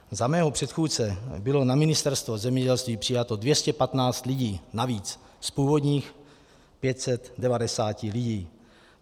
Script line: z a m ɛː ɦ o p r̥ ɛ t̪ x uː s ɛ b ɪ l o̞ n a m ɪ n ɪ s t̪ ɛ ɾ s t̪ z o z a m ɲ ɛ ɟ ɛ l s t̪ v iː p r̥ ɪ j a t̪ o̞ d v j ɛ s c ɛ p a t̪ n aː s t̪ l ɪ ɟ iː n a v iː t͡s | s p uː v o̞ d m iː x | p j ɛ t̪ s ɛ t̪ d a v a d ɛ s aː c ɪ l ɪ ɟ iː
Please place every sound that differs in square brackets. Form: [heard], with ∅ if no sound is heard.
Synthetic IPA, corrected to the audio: z a m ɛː ɦ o p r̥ ɛ t̪ x uː [t͡s] ɛ b ɪ l o̞ n a m ɪ n ɪ s t̪ ɛ ɾ s t̪ [v] o z [ɛ] m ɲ ɛ ɟ ɛ l s t̪ v iː p r̥ ɪ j a t̪ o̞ d v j ɛ s c ɛ p a t̪ n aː [t͡s] t̪ l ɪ ɟ iː n a v iː t͡s | s p uː v o̞ d [ɲ] iː x | p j ɛ t̪ s ɛ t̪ d [ɛ] v a d ɛ s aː c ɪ l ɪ ɟ iː